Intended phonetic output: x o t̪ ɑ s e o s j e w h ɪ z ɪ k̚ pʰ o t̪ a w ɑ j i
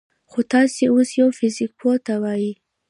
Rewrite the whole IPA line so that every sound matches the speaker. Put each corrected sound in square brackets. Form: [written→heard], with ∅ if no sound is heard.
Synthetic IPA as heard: x o t̪ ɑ s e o s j [e→a] w [h→f] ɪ z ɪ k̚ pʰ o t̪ a w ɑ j i